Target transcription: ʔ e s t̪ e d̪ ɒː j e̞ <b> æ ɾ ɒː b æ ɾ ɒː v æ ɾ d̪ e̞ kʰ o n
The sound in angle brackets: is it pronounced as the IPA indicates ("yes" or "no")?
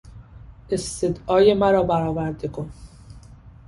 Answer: no